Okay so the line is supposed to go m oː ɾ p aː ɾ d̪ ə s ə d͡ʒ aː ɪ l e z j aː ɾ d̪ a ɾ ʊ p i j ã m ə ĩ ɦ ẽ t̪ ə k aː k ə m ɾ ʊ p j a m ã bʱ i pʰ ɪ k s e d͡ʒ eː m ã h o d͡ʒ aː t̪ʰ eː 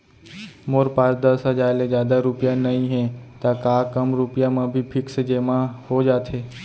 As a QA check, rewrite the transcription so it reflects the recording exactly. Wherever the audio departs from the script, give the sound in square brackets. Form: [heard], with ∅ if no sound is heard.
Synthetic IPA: m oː ɾ p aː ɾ d̪ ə s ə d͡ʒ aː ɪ l e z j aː [∅] d̪ a ɾ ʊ p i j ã [n] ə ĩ ɦ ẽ t̪ [a] k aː k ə m ɾ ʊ p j a m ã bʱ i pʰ ɪ k s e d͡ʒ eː m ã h o d͡ʒ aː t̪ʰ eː

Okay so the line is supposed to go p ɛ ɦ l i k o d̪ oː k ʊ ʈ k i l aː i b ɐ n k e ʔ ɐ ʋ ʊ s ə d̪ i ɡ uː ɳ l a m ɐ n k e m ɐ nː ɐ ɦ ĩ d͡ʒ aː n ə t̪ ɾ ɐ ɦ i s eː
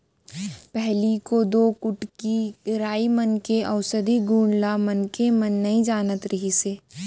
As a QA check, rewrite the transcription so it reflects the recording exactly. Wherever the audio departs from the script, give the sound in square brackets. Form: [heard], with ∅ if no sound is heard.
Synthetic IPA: p ɛ ɦ l i k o d̪ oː k ʊ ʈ k i [ɾ] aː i [m] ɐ n k e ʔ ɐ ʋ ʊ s ə d̪ i ɡ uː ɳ l a m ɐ n k e m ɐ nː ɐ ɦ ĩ d͡ʒ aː n ə t̪ ɾ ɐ ɦ i s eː

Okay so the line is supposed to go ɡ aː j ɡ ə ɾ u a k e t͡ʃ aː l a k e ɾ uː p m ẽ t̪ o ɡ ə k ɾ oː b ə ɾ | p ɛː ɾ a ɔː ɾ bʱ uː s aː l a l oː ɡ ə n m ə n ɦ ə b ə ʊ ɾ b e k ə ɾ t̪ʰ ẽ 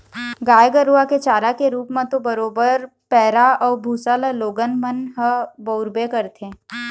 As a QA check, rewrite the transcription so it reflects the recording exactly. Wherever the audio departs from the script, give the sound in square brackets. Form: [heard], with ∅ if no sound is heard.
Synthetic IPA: ɡ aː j ɡ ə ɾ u a k e t͡ʃ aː [ɾ] a k e ɾ uː p m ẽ t̪ o [b] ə [∅] ɾ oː b ə ɾ | p ɛː ɾ a ɔː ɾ bʱ uː s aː l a l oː ɡ ə n m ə n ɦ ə b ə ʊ ɾ b e k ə ɾ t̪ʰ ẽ

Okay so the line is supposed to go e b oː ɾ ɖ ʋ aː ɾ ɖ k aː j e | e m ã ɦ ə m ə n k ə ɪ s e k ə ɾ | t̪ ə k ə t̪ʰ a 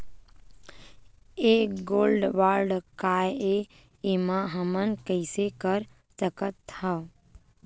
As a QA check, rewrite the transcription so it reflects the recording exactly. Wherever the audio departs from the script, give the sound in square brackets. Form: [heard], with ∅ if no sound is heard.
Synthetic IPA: e [ɡ] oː [l] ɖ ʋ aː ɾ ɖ k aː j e | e m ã ɦ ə m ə n k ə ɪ s e k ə ɾ | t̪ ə k ə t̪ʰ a

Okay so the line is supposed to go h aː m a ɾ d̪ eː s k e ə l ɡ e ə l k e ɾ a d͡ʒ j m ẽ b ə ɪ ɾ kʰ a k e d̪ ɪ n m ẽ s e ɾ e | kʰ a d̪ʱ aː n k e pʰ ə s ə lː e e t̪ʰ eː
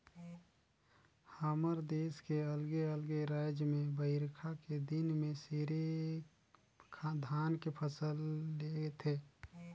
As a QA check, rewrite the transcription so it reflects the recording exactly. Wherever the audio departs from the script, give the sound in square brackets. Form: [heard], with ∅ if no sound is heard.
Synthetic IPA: h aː m [ə] ɾ d̪ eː s k e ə l ɡ e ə l [ɡ] e ɾ a d͡ʒ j m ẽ b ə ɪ ɾ kʰ a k e d̪ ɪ n m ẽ s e ɾ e | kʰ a d̪ʱ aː n k e pʰ ə s ə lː e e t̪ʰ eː

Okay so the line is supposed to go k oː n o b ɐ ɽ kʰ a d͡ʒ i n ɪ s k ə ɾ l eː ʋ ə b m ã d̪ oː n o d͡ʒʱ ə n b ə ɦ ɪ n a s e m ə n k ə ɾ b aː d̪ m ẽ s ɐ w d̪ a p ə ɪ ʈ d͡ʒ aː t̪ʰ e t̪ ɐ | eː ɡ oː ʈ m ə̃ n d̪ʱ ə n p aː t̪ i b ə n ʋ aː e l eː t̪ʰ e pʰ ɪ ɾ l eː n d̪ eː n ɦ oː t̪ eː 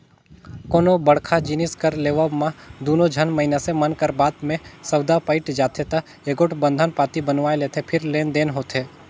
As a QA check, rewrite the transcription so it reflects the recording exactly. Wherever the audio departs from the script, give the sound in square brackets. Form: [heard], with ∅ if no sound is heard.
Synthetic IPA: k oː n o b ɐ ɽ kʰ a d͡ʒ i n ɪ s k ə ɾ l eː ʋ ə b m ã d̪ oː n o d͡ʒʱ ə n [m] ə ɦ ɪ n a s e m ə n k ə ɾ b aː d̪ m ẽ s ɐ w d̪ a p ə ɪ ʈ d͡ʒ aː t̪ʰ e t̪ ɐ | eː ɡ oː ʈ [b] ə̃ n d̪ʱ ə n p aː t̪ i b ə n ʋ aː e l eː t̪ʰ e pʰ ɪ ɾ l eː n d̪ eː n ɦ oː t̪ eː

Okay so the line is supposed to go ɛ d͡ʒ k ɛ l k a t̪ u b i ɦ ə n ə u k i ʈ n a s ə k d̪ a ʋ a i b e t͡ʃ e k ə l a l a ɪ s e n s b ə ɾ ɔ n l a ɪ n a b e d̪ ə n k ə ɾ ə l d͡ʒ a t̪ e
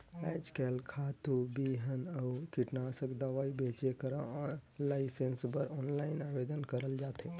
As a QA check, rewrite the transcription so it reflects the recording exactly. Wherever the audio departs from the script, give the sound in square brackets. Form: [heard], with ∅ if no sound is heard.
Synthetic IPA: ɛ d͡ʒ k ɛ l [kʰ] a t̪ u b i ɦ ə n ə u k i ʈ n a s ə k d̪ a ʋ a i b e t͡ʃ e k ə [ɾ] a l a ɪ s e n s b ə ɾ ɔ n l a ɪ n a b e d̪ ə n k ə ɾ ə l d͡ʒ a t̪ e

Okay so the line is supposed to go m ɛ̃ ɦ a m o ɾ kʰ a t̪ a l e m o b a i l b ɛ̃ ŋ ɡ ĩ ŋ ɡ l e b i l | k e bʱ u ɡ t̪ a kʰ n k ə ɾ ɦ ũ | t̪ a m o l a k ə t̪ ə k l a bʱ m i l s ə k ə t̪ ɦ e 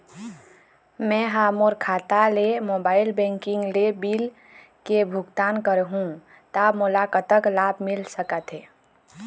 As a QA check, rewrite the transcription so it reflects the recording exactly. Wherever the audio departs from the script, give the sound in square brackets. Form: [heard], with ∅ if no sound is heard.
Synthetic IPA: m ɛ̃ ɦ a m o ɾ kʰ a t̪ a l e m o b a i l b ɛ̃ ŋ [k] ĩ ŋ ɡ l e b i l | k e bʱ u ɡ t̪ a [∅] n k ə ɾ ɦ ũ | t̪ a m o l a k ə t̪ ə k l a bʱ m i l s ə k ə t̪ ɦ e

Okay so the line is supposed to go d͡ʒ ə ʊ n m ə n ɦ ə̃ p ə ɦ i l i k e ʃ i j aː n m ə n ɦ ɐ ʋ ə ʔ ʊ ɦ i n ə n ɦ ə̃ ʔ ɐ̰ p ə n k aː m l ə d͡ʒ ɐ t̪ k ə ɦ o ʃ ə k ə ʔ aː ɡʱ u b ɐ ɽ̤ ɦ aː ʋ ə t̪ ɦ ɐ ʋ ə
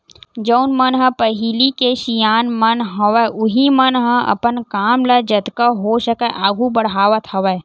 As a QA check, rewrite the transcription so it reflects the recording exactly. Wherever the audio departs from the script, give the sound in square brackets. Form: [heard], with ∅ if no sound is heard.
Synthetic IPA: d͡ʒ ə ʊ n m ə n ɦ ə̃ p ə ɦ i l i k e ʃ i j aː n m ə n ɦ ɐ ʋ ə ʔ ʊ ɦ i [m] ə n ɦ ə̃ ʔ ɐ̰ p ə n k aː m l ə d͡ʒ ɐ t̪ k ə ɦ o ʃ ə k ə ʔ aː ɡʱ u b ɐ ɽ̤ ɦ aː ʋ ə t̪ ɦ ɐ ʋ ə

